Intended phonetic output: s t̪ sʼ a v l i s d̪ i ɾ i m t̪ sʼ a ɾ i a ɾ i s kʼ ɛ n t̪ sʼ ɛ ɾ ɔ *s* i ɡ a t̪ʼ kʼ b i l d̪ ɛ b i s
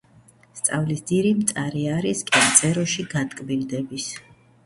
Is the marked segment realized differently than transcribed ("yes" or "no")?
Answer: yes